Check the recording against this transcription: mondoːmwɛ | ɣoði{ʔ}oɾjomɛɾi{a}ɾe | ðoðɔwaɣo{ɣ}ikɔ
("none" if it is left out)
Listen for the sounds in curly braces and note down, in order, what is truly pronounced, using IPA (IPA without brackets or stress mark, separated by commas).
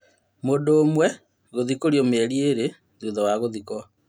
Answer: k, e, ð